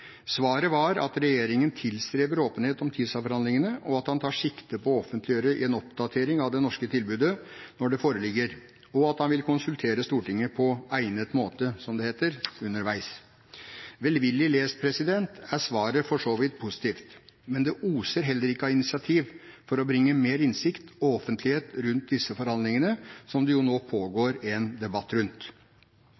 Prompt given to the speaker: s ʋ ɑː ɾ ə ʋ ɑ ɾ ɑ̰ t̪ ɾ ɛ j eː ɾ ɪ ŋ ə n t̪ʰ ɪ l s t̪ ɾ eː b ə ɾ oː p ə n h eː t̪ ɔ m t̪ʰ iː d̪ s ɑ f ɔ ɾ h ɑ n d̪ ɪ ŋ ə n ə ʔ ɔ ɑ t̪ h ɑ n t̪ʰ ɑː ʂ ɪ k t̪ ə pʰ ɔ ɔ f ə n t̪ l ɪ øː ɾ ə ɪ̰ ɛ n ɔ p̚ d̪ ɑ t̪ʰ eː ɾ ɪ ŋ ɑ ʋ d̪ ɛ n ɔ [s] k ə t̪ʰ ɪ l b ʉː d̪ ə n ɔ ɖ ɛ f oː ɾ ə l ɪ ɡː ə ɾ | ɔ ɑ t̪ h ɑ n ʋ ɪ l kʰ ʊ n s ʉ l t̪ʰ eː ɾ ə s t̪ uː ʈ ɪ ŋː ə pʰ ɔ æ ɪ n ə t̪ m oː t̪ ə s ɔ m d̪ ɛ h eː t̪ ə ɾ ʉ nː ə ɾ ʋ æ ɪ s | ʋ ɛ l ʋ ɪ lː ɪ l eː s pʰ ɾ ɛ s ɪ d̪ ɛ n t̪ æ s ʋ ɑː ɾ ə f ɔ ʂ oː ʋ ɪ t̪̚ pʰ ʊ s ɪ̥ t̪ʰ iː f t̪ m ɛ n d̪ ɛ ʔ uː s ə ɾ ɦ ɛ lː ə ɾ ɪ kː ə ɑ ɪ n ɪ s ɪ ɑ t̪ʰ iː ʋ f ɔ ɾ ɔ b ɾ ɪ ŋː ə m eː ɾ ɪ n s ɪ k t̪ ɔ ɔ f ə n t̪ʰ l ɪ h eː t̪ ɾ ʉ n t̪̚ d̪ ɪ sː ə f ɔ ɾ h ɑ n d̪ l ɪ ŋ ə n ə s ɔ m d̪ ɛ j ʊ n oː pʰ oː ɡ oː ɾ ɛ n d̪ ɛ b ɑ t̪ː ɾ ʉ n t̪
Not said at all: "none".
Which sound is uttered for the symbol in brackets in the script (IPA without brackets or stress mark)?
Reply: ʂ